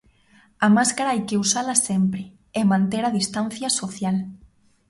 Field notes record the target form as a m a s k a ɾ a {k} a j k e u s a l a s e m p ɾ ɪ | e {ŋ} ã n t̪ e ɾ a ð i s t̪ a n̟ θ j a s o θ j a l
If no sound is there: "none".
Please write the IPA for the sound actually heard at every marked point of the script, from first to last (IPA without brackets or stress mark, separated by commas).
none, m